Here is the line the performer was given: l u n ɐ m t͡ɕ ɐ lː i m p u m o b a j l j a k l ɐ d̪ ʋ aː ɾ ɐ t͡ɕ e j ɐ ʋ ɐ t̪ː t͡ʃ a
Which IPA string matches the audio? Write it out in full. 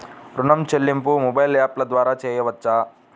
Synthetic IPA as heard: ɾ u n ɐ m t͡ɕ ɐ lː i m p u m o b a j l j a p l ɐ d̪ ʋ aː ɾ a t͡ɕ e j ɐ ʋ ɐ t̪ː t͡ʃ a